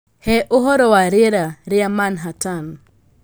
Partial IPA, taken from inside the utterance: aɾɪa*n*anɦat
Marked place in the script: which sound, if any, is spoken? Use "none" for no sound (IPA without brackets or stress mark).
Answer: m